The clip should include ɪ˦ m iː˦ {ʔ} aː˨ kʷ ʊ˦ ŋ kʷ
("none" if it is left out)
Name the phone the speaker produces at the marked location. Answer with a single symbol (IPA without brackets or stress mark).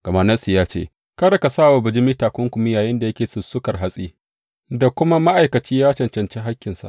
t